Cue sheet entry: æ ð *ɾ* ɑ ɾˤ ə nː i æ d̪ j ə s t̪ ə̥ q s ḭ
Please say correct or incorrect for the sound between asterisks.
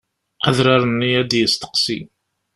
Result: correct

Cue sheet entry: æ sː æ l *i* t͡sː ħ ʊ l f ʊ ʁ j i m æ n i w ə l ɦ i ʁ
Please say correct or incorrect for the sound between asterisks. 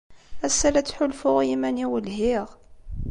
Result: incorrect: æ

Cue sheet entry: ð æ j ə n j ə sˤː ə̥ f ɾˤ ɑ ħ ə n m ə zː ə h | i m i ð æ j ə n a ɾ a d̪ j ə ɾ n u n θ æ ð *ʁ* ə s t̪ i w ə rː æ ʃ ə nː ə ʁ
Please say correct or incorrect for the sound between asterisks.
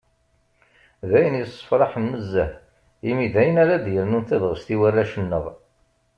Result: correct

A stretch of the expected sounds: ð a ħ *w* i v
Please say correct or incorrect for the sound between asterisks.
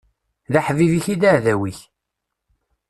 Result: incorrect: v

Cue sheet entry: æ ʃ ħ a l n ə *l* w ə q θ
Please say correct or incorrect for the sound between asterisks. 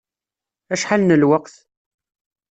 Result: correct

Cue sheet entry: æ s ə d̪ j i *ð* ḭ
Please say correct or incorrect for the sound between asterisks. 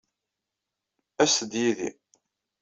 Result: correct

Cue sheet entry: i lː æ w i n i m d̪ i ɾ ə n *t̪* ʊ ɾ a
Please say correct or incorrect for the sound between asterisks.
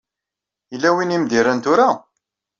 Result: correct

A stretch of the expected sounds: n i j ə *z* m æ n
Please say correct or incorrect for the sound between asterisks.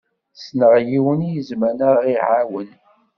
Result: correct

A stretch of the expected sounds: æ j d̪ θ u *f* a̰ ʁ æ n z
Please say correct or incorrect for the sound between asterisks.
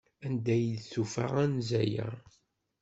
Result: correct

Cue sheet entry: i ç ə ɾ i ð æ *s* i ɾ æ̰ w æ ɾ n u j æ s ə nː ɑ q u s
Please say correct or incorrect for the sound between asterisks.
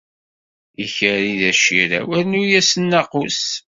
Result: incorrect: ʃ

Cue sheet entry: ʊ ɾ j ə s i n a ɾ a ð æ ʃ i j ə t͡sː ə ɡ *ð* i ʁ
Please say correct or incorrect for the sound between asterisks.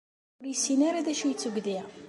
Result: correct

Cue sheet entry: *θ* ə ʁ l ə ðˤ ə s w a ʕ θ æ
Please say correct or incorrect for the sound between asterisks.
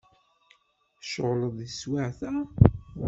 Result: incorrect: ʃ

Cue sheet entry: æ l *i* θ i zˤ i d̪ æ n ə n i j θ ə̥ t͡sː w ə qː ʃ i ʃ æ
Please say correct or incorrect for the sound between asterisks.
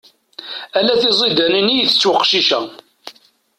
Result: incorrect: æ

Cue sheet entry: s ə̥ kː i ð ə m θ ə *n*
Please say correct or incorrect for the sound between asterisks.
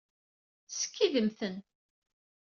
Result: correct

